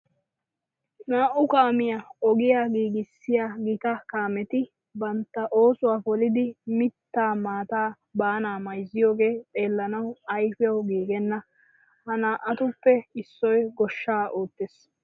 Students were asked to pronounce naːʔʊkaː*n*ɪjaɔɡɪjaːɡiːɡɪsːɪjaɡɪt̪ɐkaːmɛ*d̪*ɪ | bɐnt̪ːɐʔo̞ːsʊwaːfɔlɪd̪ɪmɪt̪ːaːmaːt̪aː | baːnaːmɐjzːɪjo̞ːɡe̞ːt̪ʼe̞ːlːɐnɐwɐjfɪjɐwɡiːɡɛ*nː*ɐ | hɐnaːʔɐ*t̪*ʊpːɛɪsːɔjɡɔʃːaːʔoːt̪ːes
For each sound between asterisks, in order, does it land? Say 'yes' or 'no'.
no, no, yes, yes

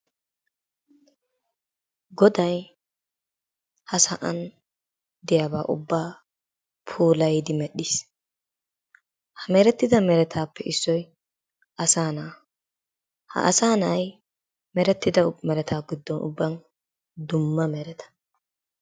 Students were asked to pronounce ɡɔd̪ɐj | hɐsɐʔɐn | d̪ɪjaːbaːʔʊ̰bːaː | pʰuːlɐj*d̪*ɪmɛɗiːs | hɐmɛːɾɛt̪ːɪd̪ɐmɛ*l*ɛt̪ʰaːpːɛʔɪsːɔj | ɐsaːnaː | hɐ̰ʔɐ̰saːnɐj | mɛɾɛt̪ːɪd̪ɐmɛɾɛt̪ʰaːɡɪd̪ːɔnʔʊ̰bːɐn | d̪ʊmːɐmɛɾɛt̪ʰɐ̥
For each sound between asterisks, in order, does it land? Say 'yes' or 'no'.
yes, no

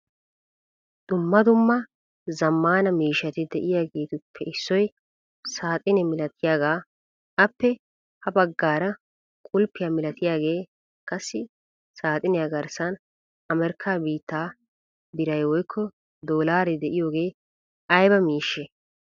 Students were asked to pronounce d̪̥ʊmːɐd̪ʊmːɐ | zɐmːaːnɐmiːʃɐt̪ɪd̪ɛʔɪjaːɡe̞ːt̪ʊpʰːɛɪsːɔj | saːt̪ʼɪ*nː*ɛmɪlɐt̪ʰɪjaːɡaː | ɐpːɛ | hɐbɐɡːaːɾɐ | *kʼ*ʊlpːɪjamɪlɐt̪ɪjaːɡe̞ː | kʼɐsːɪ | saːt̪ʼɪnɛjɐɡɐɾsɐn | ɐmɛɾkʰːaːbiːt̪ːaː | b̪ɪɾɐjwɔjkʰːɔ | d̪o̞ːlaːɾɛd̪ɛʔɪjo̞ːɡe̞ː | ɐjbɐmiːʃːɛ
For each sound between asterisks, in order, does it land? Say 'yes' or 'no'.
no, yes

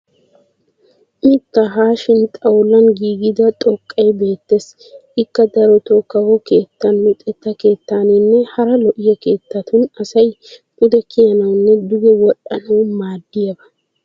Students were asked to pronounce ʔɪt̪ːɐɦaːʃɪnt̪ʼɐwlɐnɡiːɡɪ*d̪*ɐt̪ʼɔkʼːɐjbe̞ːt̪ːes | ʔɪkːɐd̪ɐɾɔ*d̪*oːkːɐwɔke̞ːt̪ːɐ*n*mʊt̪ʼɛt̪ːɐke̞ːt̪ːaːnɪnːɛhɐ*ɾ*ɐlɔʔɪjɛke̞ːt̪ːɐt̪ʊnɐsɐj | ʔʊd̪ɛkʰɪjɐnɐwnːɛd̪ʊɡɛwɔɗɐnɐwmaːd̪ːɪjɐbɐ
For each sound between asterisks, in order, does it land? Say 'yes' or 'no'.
yes, no, yes, yes

